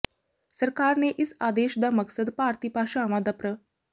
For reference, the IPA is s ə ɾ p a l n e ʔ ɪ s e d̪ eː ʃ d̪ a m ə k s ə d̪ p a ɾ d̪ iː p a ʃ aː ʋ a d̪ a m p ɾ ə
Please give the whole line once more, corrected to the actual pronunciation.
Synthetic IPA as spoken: s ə ɾ k a ɾ n e ʔ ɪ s a d̪ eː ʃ d̪ a m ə k s ə d̪ p a ɾ t̪ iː p a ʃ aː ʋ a d̪ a p ɾ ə